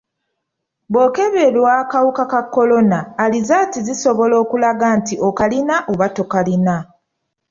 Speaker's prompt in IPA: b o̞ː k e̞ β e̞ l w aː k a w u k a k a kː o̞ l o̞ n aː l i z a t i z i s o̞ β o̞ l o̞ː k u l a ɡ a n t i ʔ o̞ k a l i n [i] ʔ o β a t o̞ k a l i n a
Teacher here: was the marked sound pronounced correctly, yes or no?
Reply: no